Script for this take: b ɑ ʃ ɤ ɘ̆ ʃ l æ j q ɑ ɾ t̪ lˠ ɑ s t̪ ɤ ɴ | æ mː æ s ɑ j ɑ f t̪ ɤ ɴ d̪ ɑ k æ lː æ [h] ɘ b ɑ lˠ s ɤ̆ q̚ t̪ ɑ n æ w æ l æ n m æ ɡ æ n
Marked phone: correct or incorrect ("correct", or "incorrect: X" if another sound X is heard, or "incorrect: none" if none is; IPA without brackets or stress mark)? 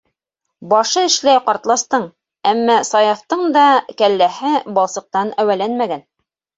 correct